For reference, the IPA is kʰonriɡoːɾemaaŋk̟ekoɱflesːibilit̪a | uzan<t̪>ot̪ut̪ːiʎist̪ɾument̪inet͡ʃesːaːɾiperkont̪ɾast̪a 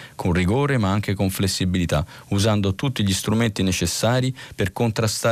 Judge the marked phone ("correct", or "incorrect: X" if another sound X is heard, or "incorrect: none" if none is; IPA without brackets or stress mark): incorrect: d̪